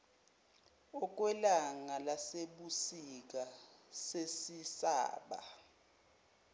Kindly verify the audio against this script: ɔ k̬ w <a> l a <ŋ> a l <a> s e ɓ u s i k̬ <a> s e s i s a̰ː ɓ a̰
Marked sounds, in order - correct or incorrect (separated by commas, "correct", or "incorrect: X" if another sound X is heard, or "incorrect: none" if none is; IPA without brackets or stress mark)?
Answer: incorrect: ɛ, correct, correct, correct